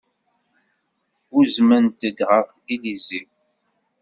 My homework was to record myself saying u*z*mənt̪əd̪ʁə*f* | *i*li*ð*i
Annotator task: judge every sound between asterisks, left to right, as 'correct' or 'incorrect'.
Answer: correct, correct, correct, incorrect

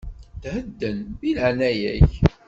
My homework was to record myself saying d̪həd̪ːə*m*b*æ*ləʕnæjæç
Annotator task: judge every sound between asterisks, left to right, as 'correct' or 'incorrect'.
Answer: incorrect, incorrect

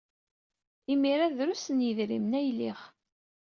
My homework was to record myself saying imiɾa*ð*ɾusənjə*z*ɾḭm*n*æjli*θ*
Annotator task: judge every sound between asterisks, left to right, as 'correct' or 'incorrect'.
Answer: correct, incorrect, correct, incorrect

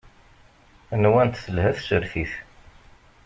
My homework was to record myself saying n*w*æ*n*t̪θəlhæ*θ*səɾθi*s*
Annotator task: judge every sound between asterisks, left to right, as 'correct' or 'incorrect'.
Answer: correct, correct, correct, incorrect

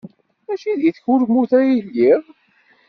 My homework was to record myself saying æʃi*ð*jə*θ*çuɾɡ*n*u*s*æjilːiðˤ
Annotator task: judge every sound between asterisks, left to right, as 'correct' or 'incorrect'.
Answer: correct, correct, incorrect, incorrect

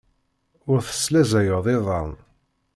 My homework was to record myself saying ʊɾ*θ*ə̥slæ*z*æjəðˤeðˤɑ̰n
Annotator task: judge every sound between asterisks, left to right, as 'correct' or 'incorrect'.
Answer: correct, correct

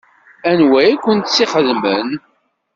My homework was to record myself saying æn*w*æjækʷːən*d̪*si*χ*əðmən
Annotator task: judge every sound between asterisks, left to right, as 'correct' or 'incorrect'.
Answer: correct, incorrect, correct

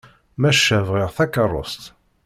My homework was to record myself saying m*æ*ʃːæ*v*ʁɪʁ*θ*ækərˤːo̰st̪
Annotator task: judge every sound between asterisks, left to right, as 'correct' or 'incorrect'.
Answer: correct, correct, correct

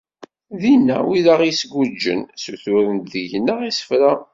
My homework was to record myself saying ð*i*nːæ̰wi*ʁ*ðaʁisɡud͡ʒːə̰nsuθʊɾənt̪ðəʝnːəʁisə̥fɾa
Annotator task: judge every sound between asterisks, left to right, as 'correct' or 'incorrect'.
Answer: correct, incorrect

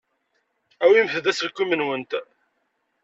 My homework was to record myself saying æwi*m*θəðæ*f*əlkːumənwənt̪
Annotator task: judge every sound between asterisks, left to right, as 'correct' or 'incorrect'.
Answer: correct, incorrect

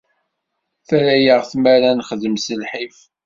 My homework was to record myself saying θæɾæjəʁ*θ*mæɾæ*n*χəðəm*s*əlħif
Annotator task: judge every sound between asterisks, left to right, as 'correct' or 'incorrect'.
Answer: correct, correct, correct

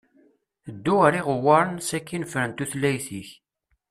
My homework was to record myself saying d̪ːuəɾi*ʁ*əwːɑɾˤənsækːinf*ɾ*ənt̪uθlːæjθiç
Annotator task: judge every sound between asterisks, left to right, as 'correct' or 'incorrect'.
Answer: correct, correct

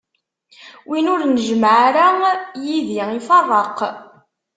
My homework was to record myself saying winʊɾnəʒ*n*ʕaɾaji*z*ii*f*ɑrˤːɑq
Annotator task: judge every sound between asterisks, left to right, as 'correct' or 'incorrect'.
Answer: incorrect, incorrect, correct

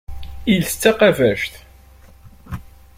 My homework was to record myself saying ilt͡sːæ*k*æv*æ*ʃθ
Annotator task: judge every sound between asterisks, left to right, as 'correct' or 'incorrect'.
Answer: incorrect, correct

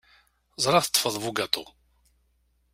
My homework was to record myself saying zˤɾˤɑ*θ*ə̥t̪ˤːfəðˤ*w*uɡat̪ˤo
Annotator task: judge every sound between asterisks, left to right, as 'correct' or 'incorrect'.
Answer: correct, incorrect

